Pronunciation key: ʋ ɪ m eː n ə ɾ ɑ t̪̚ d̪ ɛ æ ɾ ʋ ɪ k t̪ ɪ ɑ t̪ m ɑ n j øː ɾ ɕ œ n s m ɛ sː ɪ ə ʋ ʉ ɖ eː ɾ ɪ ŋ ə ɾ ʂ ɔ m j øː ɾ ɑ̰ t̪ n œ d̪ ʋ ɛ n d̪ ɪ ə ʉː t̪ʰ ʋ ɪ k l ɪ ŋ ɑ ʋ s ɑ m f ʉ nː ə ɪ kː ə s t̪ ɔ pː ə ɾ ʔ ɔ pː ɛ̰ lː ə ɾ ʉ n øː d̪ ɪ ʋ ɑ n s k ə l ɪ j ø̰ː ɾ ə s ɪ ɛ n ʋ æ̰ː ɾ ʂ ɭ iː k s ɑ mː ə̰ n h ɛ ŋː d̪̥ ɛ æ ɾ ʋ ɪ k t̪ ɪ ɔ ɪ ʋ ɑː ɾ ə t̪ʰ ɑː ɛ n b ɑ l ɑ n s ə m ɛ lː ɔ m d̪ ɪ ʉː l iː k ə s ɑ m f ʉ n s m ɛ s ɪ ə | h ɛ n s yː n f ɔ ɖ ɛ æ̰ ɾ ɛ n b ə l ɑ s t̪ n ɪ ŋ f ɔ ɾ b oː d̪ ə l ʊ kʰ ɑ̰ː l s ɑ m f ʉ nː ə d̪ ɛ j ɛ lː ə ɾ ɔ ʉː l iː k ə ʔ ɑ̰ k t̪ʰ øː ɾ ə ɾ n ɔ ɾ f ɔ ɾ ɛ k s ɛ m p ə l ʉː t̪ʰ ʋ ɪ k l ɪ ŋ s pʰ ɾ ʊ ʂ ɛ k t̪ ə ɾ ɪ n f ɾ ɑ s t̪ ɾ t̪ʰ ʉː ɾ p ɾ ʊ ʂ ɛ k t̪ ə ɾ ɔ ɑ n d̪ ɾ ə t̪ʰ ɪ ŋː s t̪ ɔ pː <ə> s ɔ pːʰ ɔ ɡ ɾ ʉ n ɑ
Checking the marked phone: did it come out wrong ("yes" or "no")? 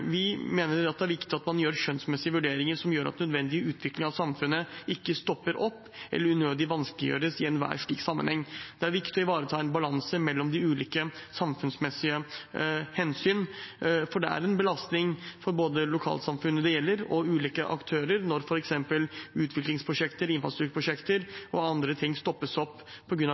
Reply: no